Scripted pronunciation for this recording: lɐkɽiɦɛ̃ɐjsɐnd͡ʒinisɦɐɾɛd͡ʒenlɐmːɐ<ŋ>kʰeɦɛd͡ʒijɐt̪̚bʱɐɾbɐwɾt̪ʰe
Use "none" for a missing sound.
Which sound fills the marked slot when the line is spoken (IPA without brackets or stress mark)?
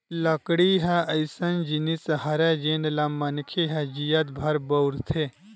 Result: n